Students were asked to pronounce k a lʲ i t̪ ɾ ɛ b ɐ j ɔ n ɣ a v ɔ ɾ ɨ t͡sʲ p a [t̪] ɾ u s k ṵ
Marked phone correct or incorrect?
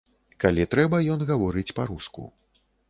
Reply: incorrect